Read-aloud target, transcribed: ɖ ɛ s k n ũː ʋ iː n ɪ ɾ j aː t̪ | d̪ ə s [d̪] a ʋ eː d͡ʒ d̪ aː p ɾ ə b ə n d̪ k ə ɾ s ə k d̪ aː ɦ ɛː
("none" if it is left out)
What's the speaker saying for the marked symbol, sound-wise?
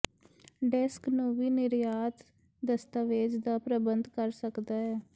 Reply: t̪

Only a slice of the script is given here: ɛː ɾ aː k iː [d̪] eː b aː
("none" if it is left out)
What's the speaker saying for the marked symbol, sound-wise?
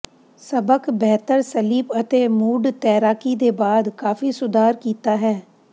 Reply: d̪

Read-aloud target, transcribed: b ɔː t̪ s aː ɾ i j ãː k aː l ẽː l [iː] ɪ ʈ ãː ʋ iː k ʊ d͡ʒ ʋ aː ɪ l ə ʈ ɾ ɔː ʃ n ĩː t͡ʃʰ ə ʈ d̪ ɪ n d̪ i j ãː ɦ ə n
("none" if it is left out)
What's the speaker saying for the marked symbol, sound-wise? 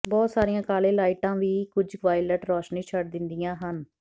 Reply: aː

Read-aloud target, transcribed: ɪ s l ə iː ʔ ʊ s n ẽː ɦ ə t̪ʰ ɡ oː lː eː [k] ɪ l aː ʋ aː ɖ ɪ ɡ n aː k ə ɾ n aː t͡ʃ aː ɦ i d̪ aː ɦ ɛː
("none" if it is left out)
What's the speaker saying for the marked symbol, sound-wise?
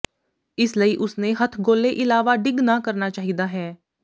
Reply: ʔ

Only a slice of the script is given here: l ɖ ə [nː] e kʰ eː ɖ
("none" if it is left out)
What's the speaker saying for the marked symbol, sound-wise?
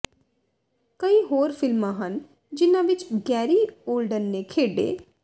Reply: nː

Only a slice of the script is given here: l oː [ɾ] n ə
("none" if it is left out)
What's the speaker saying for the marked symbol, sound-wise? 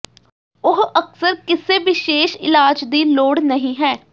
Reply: ɽ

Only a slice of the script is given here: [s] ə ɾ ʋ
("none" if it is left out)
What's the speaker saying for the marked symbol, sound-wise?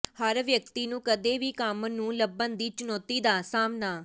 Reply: h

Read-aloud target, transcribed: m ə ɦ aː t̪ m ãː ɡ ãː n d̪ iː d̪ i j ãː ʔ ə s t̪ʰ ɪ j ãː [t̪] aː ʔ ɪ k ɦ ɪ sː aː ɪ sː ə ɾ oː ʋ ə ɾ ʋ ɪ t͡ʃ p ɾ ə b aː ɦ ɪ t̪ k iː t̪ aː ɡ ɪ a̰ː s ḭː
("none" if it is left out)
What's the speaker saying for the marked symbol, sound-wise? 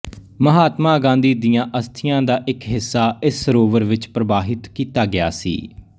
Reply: d̪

